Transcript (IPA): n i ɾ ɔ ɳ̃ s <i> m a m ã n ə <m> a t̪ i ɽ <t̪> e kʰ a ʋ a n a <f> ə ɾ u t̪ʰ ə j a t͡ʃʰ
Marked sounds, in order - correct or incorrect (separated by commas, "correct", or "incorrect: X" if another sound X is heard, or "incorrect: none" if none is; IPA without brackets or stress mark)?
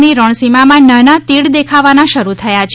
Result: correct, incorrect: n, incorrect: d̪, incorrect: ʃ